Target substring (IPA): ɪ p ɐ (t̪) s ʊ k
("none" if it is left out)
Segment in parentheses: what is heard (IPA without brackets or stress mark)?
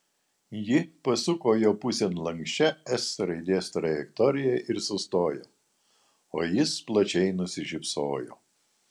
none